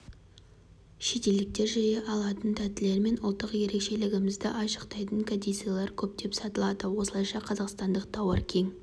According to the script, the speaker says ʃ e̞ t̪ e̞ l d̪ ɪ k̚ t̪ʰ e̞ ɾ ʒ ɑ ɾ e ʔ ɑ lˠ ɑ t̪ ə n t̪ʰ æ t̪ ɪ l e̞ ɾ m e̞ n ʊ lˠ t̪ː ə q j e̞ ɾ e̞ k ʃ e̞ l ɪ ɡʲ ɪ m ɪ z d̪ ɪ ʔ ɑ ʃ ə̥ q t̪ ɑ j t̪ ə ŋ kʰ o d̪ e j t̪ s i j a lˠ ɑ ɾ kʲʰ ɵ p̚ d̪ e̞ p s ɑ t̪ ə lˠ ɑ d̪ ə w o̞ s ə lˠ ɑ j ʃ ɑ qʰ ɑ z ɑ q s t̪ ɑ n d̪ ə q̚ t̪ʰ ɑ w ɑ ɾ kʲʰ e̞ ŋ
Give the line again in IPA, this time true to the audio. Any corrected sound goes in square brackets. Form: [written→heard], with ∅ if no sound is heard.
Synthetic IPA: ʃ e̞ t̪ e̞ l d̪ ɪ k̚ [t̪ʰ→t̪] e̞ ɾ ʒ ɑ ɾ e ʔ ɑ lˠ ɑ t̪ ə n t̪ʰ æ t̪ ɪ l e̞ ɾ m e̞ n ʊ lˠ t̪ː ə q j e̞ ɾ e̞ k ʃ e̞ l ɪ ɡʲ ɪ m ɪ z d̪ ɪ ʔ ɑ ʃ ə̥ q t̪ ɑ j t̪ ə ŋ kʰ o d̪ e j t̪ s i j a lˠ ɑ ɾ kʲʰ ɵ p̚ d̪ e̞ p s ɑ t̪ ə lˠ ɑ d̪ ə w o̞ s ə lˠ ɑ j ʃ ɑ qʰ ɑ z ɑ q s t̪ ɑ n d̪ ə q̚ t̪ʰ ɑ w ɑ ɾ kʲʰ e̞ ŋ